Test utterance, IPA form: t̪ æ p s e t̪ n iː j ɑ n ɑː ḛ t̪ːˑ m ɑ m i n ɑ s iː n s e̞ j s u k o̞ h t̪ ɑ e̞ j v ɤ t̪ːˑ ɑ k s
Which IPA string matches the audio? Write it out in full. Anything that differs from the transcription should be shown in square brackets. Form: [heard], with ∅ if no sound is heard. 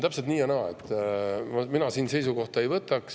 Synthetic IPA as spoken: t̪ æ p s e t̪ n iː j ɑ n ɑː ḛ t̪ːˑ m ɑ m i n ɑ s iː n s e̞ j s u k o̞ h t̪ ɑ e̞ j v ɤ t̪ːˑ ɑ k s